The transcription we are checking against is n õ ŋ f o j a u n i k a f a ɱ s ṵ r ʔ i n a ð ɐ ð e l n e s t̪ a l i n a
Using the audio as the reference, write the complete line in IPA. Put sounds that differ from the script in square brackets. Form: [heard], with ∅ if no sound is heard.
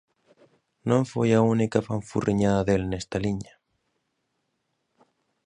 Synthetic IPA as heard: n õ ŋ f o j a u n i k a f a ɱ [f] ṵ r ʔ i [ɲ] a ð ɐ ð e l n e s t̪ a l i [ɲ] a